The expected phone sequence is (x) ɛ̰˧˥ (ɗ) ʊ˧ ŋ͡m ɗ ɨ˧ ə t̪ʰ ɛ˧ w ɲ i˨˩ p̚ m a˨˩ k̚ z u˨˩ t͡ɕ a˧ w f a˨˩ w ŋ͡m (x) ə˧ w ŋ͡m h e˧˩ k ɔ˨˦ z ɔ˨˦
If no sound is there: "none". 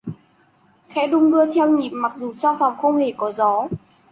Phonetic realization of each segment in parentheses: x, ɗ, x

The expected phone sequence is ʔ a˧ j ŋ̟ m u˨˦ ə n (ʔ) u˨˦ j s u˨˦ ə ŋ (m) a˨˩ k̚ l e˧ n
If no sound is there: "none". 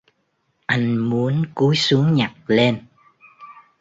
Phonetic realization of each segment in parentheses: k, ɲ

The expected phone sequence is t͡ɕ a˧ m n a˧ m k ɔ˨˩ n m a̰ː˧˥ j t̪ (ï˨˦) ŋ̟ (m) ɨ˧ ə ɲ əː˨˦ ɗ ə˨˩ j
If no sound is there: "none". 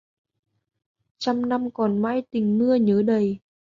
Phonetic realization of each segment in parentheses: ï˨˩, m

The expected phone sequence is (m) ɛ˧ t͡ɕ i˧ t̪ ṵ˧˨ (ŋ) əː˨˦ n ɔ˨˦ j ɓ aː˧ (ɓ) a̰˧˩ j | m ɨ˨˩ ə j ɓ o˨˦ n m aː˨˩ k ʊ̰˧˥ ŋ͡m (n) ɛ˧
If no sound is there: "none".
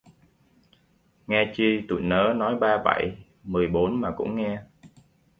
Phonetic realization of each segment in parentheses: ŋ, n, ɓ, ŋ

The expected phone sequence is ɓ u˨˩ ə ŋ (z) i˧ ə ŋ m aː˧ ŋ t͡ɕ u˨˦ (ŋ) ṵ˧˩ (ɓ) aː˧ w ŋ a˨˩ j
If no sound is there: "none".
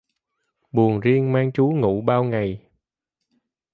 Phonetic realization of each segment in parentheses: z, ŋ, ɓ

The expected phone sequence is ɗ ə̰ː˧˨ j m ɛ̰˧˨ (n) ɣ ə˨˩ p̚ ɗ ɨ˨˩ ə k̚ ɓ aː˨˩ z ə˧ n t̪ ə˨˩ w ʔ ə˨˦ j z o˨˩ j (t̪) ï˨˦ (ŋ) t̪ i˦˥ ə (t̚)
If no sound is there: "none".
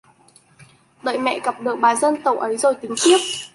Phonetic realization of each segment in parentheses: none, t̪, ŋ, p̚

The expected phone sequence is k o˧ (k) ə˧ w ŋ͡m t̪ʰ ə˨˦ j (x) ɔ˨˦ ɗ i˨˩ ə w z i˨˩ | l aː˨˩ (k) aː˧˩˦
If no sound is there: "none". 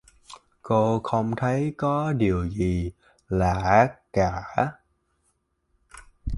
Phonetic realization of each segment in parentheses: x, k, k

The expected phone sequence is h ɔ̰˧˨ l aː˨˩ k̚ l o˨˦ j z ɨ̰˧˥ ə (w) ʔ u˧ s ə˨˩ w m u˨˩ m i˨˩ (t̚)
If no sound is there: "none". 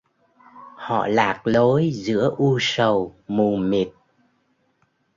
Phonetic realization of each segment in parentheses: none, t̚

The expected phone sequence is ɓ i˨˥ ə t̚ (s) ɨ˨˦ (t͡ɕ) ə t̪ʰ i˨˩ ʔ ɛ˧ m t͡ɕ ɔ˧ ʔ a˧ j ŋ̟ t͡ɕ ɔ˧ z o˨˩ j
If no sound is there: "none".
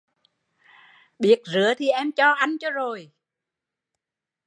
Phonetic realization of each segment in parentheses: z, none

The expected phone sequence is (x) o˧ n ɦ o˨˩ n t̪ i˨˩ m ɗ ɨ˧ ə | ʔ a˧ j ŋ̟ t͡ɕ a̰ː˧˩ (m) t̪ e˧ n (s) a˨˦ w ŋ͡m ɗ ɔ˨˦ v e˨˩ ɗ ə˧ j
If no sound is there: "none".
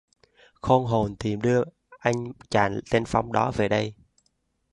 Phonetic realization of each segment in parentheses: x, n, f

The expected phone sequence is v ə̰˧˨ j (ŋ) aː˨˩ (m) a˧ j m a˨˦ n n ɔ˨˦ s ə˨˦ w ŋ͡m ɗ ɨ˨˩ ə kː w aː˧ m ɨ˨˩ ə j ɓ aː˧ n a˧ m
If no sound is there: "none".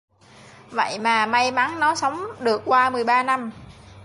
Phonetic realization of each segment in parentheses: m, m

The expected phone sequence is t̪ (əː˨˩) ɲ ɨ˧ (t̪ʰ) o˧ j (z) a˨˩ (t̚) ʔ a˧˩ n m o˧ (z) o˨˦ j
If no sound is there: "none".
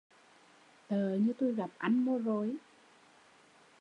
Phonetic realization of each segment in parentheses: əː˨˩, t̪, ɣ, p̚, z

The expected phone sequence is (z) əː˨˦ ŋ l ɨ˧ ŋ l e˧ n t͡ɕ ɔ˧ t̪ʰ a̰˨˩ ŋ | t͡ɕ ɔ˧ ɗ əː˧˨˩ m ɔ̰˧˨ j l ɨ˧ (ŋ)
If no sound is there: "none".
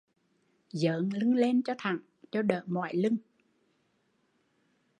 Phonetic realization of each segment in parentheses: z, ŋ

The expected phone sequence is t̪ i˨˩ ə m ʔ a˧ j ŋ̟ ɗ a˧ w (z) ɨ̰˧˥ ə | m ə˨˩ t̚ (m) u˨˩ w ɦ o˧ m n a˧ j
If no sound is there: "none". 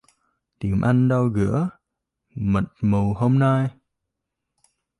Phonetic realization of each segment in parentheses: ɣ, m

